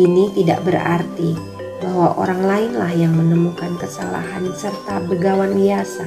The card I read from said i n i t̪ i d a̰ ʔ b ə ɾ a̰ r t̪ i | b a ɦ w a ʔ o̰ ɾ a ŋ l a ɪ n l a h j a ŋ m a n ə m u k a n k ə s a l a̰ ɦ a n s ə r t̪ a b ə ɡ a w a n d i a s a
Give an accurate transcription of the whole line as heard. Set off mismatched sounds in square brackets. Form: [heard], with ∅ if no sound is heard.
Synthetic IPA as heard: i n i t̪ i d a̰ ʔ b ə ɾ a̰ r t̪ i | b a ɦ w a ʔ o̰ ɾ a ŋ l a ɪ n l a h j a ŋ m [ə] n ə m u k a n k ə s a l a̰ ɦ a n s ə r t̪ a b ə ɡ a w a n [b] i a s a